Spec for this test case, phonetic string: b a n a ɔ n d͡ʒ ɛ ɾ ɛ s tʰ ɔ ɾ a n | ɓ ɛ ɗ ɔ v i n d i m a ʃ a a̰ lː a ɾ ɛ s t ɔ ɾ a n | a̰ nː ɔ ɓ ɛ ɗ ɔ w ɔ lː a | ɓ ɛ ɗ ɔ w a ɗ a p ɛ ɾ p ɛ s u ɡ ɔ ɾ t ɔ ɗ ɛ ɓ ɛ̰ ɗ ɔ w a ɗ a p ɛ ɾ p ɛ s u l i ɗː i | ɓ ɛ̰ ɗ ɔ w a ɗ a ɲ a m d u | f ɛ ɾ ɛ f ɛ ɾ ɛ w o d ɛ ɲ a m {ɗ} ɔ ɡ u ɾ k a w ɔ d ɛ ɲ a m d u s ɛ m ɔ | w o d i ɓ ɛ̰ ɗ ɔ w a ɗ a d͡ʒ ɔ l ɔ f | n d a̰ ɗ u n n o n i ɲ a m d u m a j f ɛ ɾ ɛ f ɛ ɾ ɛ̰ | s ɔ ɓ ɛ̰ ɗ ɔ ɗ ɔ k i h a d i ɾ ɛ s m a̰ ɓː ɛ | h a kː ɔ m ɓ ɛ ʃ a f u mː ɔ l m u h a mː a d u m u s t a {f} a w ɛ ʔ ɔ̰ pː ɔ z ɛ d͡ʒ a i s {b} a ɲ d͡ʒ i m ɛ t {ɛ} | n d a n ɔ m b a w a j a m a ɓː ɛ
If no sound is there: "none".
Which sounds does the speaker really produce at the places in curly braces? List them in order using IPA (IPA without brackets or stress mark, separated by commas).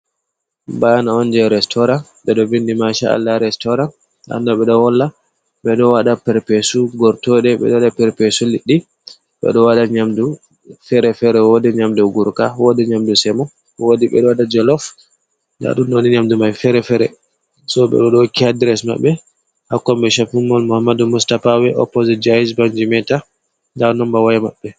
d, f, b, a